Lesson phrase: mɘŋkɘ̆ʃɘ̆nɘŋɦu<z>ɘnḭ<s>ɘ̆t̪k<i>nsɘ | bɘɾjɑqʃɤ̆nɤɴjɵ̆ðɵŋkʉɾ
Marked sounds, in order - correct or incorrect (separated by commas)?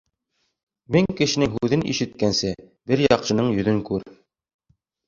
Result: incorrect, incorrect, incorrect